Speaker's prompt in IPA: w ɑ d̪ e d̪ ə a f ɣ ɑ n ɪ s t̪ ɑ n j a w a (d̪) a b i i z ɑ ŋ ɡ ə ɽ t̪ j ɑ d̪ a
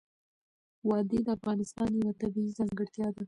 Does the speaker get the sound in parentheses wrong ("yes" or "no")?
yes